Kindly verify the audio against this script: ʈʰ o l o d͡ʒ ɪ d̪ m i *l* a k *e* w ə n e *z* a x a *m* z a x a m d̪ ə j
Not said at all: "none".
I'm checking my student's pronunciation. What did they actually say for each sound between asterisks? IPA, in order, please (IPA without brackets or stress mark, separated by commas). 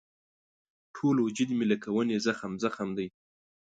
l, a, z, m